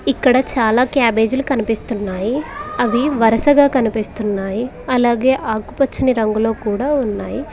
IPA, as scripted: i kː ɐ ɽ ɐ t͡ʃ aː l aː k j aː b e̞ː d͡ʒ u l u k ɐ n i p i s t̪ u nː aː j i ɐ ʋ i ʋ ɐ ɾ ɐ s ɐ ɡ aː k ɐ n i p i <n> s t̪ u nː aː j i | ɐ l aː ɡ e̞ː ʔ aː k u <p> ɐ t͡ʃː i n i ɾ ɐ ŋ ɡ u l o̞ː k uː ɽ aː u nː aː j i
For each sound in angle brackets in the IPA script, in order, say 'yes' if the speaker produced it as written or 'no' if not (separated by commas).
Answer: no, yes